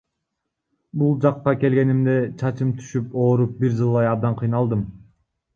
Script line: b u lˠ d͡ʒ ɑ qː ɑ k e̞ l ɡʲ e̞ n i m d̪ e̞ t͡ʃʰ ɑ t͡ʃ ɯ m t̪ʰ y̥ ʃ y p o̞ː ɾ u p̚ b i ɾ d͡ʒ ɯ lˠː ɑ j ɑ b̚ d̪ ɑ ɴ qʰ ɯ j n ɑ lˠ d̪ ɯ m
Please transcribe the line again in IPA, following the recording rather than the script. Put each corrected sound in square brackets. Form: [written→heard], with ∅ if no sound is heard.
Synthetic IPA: b u lˠ d͡ʒ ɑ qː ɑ k e̞ l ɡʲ e̞ n i m d̪ e̞ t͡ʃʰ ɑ t͡ʃ ɯ m t̪ʰ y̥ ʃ y p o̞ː ɾ u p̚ b i ɾ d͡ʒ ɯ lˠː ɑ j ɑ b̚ d̪ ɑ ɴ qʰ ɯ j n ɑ lˠ d̪ ɯ m